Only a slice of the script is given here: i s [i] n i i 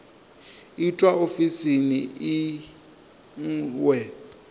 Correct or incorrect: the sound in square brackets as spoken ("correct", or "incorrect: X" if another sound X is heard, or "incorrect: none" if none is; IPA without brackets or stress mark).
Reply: correct